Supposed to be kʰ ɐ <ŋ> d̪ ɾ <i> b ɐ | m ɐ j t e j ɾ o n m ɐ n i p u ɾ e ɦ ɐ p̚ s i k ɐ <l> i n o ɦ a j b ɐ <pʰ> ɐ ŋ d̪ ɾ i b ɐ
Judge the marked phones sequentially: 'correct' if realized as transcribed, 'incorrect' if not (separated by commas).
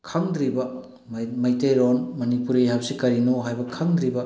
correct, correct, incorrect, incorrect